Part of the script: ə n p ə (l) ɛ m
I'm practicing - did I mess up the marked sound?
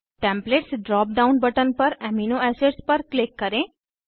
yes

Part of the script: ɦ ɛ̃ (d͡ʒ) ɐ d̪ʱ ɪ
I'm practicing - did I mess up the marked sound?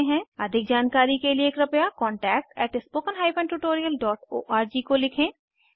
yes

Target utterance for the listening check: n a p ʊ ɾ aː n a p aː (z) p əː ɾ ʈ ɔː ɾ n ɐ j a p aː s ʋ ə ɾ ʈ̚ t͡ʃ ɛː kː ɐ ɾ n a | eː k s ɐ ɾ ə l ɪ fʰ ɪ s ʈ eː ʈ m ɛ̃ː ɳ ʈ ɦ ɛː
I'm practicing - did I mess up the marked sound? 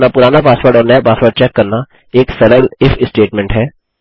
yes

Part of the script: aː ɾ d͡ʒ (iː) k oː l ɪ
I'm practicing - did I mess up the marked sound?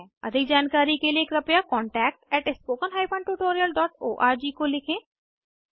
no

